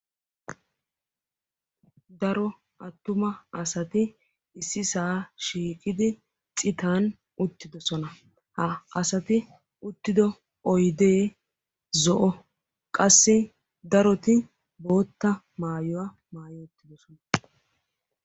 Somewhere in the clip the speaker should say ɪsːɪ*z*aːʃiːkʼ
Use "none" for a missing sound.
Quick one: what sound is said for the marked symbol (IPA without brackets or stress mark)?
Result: s